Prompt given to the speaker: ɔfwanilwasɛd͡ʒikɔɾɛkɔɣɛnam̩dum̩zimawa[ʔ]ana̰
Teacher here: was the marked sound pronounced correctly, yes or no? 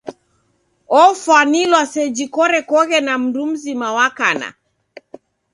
no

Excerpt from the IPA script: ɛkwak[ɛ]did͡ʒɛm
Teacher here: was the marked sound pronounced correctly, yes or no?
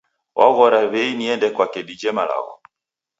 yes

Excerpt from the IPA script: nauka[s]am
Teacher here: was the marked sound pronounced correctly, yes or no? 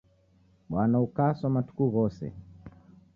yes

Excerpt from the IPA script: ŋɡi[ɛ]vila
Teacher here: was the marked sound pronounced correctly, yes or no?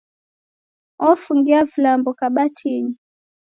no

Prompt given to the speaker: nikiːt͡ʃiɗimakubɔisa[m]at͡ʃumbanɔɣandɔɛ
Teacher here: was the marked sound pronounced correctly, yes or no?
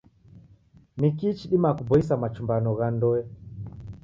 yes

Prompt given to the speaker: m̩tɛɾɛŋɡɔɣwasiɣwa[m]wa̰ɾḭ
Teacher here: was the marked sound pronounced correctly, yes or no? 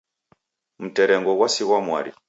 yes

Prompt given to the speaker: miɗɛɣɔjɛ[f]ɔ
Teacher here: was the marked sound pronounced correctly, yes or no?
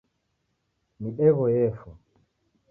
yes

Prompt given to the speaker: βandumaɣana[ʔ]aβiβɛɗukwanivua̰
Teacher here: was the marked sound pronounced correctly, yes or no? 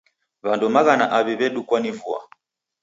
yes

